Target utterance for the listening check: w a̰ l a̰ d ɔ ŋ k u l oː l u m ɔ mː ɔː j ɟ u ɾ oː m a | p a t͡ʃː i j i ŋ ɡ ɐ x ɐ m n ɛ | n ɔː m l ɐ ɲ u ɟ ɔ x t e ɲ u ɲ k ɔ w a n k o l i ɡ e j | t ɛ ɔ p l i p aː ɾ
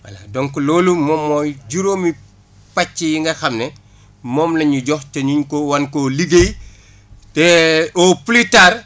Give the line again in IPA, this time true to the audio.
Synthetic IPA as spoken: w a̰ l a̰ d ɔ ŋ k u l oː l u m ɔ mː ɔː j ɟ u ɾ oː m i | p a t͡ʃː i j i ŋ ɡ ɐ x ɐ m n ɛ | m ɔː m l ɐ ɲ u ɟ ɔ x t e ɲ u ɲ k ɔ w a n k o l i ɡ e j | t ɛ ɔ p l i t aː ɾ

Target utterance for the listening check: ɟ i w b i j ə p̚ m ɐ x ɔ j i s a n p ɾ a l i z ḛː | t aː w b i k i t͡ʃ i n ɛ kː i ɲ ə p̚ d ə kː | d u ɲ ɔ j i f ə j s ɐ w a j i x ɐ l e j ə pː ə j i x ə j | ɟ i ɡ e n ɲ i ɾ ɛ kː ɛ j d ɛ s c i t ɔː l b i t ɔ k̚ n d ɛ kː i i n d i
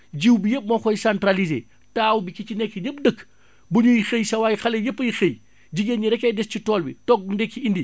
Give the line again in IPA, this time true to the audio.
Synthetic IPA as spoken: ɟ i w b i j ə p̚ m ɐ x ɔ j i s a n t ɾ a l i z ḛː | t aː w b i k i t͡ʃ i n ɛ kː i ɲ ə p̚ d ə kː | b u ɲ u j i x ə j s ɐ w a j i x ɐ l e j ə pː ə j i x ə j | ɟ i ɡ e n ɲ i ɾ ɛ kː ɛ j d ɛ s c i t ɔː l b i t ɔ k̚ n d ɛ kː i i n d i

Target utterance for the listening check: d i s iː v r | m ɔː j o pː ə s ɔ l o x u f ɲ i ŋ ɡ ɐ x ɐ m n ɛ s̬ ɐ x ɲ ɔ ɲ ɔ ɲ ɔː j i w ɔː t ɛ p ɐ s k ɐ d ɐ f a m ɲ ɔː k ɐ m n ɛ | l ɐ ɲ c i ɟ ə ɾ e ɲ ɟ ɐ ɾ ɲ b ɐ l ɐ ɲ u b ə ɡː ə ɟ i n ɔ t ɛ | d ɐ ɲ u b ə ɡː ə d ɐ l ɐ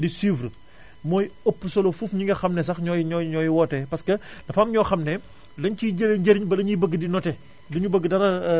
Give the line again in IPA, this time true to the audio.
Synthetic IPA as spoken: d i s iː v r | m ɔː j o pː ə s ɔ l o f u f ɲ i ŋ ɡ ɐ x ɐ m n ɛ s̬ ɐ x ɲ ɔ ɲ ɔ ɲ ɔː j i w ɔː t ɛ p ɐ s k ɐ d ɐ f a m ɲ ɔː x ɐ m n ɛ | l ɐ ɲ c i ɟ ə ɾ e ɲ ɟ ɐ ɾ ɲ b ɐ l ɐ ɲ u b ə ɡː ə d i n ɔ t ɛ | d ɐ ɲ u b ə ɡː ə d ɐ ɾ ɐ

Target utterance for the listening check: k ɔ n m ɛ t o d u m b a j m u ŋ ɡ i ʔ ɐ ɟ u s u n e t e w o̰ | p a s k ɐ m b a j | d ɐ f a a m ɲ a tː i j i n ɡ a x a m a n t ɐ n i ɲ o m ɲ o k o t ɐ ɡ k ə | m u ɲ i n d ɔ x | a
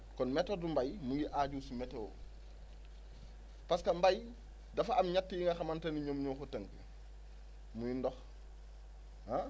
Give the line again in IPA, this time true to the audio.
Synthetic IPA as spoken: k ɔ n m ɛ t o d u m b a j m u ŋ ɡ i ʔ a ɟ u s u m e t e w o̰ | p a s k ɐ m b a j | d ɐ f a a m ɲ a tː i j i ŋ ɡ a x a m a n t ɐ n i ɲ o m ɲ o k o t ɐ ŋ k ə | m u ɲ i n d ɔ x | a

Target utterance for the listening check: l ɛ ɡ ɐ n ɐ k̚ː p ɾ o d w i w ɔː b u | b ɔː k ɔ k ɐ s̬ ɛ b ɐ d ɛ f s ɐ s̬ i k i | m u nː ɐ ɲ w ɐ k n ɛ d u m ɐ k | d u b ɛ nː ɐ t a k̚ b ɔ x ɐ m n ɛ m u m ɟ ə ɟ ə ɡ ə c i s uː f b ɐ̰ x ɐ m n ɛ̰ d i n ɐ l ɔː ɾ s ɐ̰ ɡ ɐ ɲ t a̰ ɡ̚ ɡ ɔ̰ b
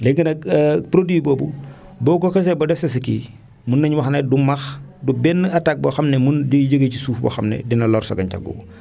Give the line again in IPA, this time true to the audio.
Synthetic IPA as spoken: l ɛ ɡ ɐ n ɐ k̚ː p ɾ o d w i b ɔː b u | b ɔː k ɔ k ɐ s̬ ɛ b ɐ d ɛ f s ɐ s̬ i k i | m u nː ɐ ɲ w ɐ x n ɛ d u m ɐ x | d u b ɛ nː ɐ t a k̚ b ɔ x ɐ m n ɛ m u n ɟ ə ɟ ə ɡ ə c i s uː f b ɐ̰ x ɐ m n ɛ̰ d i n ɐ l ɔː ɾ s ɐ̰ ɡ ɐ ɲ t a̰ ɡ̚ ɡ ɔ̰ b

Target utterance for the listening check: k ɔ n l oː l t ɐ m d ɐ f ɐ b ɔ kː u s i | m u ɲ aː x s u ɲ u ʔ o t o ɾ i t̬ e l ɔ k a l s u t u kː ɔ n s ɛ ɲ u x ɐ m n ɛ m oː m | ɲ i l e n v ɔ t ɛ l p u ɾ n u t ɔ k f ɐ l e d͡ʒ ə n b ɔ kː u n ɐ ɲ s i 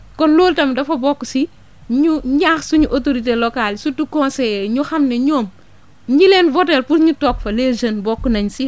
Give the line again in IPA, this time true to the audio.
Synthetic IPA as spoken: k ɔ n l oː l t ɐ m d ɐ f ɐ b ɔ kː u s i | ɲ u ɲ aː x s u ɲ u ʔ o t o ɾ i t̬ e l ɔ k a l s u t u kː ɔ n s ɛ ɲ u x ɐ m n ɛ ɲ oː m | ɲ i l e n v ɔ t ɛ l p u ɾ ɲ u t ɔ k f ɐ l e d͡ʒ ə n b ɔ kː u n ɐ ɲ s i

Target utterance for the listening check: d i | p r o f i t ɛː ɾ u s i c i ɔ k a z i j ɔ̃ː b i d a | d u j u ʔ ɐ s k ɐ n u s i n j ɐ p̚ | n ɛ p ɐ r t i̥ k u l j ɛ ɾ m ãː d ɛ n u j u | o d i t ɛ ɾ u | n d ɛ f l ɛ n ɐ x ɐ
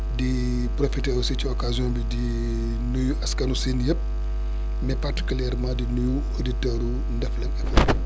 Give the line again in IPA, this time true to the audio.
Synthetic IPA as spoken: d i | p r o f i t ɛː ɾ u s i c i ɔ k a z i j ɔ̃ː b i d i | n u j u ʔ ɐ s k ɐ n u s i n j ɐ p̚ | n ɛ p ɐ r t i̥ k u l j ɛ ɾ m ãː d i n u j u | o d i t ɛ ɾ u | n d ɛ f l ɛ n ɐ f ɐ

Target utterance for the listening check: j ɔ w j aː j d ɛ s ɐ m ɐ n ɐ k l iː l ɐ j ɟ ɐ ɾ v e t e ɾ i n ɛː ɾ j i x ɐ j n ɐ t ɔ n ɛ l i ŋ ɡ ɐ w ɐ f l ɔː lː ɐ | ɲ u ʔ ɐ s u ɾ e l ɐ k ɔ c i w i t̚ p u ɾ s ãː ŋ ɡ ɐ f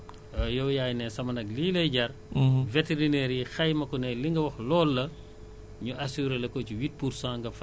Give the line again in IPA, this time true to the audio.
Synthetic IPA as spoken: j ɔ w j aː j n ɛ s ɐ m ɐ n ɐ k l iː l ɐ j ɟ ɐ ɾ v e t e ɾ i n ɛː ɾ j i x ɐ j m ɐ k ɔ n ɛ l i ŋ ɡ ɐ w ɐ x l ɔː lː ɐ | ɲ u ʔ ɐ s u ɾ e l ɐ k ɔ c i w i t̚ p u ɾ s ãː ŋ ɡ ɐ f

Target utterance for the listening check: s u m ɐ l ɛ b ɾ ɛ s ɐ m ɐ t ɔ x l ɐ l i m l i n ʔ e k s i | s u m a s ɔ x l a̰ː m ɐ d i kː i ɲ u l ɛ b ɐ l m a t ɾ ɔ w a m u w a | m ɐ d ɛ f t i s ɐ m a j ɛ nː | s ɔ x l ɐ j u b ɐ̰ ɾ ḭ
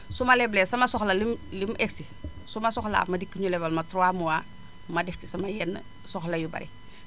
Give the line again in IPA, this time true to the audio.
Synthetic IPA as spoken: s u m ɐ l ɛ b l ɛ s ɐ m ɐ s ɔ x l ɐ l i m l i m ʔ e k s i | s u m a s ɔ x l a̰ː m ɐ d i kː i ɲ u l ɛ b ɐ l m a t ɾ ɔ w a m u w a | m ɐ d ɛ f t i s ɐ m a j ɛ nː | s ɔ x l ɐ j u b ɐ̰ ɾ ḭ

